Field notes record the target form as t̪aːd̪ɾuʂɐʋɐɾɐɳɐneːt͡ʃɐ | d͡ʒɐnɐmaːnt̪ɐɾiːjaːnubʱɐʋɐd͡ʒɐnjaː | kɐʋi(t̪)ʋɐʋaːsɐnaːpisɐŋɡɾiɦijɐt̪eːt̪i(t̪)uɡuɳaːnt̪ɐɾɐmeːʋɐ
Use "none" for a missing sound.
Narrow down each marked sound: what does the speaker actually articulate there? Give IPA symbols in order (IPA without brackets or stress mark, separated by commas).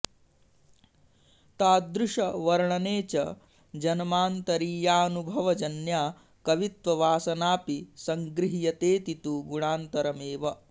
t̪, t̪